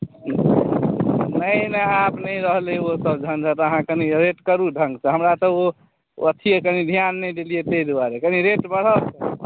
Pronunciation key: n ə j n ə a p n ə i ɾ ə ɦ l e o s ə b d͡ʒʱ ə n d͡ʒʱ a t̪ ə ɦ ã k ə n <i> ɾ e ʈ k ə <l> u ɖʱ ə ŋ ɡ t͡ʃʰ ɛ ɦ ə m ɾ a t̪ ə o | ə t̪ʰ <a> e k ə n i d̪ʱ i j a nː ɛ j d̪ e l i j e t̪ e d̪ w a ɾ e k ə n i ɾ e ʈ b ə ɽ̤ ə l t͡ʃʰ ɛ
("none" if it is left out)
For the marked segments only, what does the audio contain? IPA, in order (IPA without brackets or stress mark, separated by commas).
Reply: i, ɾ, i